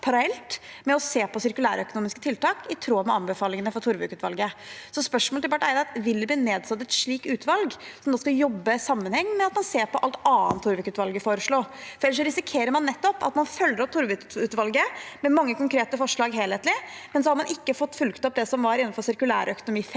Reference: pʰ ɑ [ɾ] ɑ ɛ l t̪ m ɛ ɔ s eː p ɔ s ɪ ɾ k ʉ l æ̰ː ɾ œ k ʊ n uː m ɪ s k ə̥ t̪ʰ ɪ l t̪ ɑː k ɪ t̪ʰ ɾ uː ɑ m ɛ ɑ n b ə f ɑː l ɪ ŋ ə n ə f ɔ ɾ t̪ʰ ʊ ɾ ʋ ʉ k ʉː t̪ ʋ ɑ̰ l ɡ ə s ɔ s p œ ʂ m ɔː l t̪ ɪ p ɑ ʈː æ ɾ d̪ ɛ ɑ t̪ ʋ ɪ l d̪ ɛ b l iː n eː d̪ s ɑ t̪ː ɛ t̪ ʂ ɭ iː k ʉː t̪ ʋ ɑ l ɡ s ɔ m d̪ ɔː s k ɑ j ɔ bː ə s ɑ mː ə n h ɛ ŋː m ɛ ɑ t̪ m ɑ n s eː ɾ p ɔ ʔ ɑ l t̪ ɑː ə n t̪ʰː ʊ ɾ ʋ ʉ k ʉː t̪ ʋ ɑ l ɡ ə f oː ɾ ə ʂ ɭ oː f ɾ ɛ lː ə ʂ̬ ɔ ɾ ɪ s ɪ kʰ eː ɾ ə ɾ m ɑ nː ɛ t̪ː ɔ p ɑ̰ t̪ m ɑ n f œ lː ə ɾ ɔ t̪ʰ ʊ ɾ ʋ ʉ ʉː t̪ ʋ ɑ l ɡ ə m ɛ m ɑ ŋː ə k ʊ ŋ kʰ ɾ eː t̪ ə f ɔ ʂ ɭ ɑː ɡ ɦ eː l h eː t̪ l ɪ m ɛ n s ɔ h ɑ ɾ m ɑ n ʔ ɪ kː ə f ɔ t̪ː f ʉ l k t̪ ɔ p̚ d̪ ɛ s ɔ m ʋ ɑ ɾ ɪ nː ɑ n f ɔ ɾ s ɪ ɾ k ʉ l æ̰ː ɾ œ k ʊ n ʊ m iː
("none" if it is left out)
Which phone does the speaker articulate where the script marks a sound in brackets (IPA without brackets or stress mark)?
ɾ